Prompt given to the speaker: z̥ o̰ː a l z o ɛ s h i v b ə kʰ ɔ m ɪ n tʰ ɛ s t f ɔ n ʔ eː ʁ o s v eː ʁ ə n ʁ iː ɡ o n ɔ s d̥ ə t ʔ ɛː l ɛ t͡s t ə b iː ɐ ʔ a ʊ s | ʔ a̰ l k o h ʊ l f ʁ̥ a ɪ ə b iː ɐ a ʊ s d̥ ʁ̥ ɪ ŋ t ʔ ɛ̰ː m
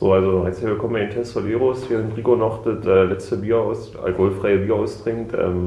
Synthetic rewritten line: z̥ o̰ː a l z o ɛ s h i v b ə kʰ ɔ m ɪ n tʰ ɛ s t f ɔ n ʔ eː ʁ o s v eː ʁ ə n ʁ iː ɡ o n ɔ χ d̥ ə t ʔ ɛː l ɛ t͡s t ə b iː ɐ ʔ a ʊ s | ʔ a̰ l k o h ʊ l f ʁ̥ a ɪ ə b iː ɐ a ʊ s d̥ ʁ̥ ɪ ŋ t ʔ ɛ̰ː m